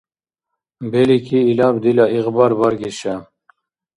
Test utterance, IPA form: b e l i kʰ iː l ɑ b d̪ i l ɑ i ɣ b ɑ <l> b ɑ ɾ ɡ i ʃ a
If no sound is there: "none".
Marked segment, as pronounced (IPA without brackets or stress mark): ɾ